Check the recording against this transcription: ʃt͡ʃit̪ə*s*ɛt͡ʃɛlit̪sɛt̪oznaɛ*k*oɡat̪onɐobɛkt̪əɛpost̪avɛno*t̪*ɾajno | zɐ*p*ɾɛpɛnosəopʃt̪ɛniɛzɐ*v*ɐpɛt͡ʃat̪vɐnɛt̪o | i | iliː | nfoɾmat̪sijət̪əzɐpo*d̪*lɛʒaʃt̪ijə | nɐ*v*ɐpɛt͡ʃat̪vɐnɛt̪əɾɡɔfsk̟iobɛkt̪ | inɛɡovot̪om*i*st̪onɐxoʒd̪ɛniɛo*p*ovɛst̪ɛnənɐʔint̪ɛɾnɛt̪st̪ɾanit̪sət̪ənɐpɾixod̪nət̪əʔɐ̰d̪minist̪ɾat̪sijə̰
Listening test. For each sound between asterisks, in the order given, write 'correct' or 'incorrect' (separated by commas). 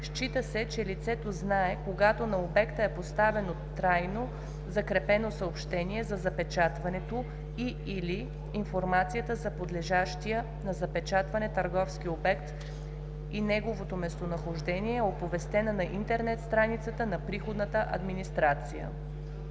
correct, correct, correct, incorrect, incorrect, correct, incorrect, incorrect, correct